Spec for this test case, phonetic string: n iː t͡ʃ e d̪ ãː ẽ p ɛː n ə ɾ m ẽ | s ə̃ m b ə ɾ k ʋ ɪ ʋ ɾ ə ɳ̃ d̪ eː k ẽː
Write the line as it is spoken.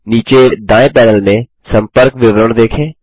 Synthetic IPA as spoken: n iː t͡ʃ e d̪ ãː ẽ p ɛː n ə l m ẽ | s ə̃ m p ə ɾ k ʋ ɪ ʋ ɾ ə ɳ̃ d̪ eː kʰ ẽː

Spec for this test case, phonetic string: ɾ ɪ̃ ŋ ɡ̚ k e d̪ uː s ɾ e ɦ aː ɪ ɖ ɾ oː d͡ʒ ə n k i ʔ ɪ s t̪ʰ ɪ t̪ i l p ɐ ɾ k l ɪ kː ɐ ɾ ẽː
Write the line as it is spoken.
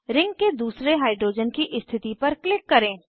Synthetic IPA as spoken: ɾ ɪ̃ ŋ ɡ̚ k e d̪ uː s ɾ e ɦ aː ɪ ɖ ɾ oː d͡ʒ ə n k i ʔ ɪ s t̪ʰ ɪ t̪ i p ɐ ɾ k l ɪ kː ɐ ɾ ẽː

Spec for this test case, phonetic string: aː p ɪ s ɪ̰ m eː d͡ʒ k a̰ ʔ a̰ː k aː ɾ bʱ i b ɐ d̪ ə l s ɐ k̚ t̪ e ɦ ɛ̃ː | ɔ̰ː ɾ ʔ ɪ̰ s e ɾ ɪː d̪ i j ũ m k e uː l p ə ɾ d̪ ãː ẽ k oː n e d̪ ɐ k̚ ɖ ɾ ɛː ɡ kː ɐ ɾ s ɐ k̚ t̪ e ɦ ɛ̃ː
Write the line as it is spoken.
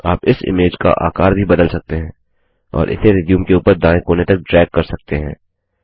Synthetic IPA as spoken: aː p ɪ s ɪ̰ m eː d͡ʒ k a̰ ʔ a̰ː k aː ɾ bʱ i b ɐ d̪ ə l s ɐ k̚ t̪ e ɦ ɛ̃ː | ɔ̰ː ɾ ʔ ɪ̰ s e ɾ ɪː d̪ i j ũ m k e uː p ə ɾ d̪ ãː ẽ k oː n e t̪ ɐ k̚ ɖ ɾ ɛː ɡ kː ɐ ɾ s ɐ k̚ t̪ e ɦ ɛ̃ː

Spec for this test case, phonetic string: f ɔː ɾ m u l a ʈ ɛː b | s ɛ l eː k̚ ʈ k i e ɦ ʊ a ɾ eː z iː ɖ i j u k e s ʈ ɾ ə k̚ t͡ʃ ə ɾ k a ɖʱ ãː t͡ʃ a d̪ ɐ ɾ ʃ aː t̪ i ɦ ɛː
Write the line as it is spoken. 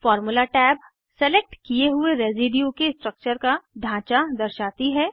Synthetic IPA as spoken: f ɔː ɾ m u l a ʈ ɛː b | s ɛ l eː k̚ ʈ k i e ɦ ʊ e ɾ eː z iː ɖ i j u k e s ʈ ɾ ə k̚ t͡ʃ ə ɾ k a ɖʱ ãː t͡ʃ a d̪ ɐ ɾ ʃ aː t̪ i ɦ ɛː

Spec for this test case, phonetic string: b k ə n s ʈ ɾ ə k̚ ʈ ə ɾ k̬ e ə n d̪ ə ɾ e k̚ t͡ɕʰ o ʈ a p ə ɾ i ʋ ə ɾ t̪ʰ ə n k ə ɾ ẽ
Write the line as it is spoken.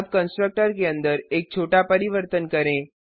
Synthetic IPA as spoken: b k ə n s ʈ ɾ ə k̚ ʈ ə ɾ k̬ e ə n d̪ ə ɾ e k̚ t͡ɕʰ o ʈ a p ə ɾ i ʋ ə ɾ t̪ ə n k ə ɾ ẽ

